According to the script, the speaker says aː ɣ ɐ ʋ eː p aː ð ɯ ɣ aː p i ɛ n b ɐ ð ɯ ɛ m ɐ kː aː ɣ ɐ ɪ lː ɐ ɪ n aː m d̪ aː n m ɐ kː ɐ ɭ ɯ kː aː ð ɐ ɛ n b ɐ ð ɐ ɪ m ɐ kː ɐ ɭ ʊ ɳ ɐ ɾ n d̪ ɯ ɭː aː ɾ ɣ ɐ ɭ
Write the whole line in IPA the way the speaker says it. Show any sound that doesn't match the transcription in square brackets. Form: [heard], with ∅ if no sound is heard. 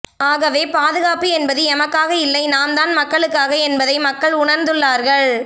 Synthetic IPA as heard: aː ɣ ɐ ʋ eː p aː ð ɯ ɣ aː p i ɛ n b ɐ ð ɯ ɛ m ɐ kː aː ɣ ɐ ɪ lː ɐ ɪ n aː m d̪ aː n m ɐ kː ɐ ɭ ɯ kː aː [ɣ] ɐ ɛ n b ɐ ð ɐ ɪ m ɐ kː ɐ ɭ ʊ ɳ ɐ ɾ n d̪ ɯ ɭː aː ɾ ɣ ɐ ɭ